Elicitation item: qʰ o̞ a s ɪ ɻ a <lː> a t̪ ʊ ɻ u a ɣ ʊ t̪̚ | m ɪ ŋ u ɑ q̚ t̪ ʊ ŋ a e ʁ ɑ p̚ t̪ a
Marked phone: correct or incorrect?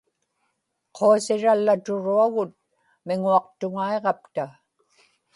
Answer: correct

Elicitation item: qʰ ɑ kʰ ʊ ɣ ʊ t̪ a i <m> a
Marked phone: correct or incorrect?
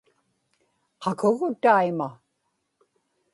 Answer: correct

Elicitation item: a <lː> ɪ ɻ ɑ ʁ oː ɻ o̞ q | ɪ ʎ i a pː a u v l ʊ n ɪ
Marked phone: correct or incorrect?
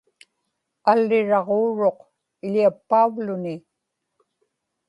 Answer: correct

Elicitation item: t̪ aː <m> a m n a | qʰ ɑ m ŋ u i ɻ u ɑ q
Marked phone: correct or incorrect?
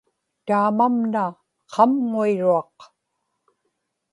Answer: correct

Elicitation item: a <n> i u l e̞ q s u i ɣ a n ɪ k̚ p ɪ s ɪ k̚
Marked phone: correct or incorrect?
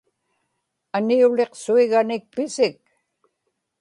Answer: correct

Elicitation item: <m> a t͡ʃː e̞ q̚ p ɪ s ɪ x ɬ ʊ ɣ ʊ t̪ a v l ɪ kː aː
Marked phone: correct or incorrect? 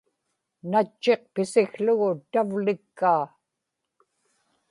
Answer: incorrect: n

